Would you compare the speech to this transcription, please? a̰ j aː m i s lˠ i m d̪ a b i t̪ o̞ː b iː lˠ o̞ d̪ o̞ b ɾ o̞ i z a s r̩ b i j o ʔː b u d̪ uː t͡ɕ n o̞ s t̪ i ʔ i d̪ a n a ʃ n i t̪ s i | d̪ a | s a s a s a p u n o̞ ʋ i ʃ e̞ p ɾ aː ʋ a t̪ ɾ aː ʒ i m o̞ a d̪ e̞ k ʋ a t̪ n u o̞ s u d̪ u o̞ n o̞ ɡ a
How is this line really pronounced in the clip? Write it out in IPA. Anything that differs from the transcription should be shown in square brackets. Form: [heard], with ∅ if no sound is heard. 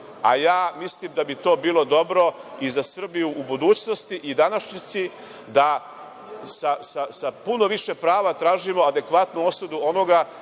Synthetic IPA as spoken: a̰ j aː m i s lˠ i m d̪ a b i t̪ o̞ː b iː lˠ o̞ d̪ o̞ b ɾ o̞ i z a s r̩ b i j [u] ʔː b u d̪ uː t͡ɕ n o̞ s t̪ i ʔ i d̪ a n a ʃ [ɲ] i t̪ s i | d̪ a | s a s a s a p u n o̞ ʋ i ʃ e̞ p ɾ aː ʋ a t̪ ɾ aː ʒ i m o̞ a d̪ e̞ k ʋ a t̪ n u o̞ s u d̪ u o̞ n o̞ ɡ a

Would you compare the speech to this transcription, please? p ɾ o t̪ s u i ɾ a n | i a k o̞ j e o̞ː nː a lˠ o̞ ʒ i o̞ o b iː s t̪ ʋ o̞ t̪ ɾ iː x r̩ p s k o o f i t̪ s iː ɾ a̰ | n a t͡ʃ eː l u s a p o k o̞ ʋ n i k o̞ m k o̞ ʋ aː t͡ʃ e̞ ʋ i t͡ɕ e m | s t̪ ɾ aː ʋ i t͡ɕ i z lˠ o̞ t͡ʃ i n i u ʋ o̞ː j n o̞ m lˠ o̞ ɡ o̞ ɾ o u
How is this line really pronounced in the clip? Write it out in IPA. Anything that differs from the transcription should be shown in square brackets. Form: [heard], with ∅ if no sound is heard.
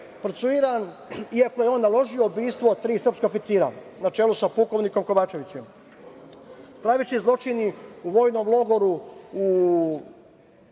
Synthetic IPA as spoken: p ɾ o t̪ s u i ɾ a n | i a k o̞ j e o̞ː nː a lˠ o̞ ʒ i o̞ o b iː s t̪ ʋ o̞ t̪ ɾ iː [s] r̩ p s k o o f i t̪ s iː ɾ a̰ | n a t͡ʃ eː l u s a p [u] k o̞ ʋ n i k o̞ m k o̞ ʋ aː t͡ʃ e̞ ʋ i t͡ɕ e m | s t̪ ɾ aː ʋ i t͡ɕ i z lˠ o̞ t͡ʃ i n i u ʋ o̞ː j n o̞ m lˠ o̞ ɡ o̞ ɾ [u] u

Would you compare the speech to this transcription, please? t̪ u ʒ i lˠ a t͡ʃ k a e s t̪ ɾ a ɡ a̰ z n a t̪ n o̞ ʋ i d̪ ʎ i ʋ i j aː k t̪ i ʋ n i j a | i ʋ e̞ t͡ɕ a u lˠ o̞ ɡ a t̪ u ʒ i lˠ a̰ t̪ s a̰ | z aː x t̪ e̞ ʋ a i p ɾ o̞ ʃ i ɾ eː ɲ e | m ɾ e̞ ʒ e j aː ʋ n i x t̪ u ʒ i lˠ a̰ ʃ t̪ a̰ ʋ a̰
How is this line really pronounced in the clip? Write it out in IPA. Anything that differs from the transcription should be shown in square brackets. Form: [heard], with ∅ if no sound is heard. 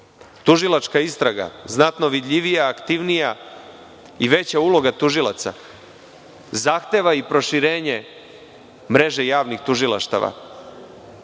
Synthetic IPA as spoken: t̪ u ʒ i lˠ a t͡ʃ k a [i] s t̪ ɾ a ɡ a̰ z n a t̪ n o̞ ʋ i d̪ ʎ i ʋ i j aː k t̪ i ʋ n i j a | i ʋ e̞ t͡ɕ a u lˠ o̞ ɡ a t̪ u ʒ i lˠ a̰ t̪ s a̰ | z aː x t̪ e̞ ʋ a i p ɾ o̞ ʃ i ɾ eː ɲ e | m ɾ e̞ ʒ e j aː ʋ n i x t̪ u ʒ i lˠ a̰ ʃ t̪ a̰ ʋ a̰

